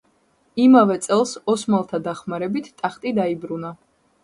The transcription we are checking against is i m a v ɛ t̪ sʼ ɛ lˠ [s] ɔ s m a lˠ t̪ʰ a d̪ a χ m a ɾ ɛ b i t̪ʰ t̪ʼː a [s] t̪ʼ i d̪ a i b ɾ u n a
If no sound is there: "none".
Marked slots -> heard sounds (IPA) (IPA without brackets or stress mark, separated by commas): s, χ